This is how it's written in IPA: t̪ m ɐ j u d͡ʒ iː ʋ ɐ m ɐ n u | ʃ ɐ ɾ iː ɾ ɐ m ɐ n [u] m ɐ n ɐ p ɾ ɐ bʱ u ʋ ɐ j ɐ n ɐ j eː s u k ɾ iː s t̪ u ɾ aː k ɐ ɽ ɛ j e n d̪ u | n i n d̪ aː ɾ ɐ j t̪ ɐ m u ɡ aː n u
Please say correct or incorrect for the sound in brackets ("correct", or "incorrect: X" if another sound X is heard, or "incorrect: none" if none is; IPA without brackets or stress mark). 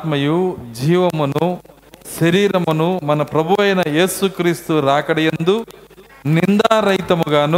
correct